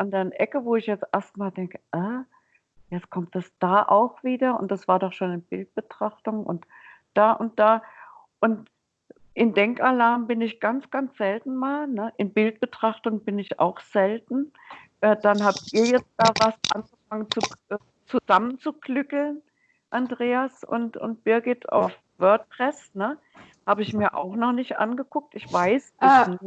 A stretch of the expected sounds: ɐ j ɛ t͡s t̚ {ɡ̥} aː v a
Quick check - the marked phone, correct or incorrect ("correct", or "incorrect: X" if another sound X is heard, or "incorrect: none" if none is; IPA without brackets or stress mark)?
incorrect: d̥